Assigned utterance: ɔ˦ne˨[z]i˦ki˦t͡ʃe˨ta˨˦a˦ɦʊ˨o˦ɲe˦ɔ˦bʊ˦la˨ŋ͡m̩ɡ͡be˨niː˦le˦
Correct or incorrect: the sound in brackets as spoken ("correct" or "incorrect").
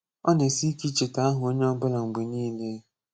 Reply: incorrect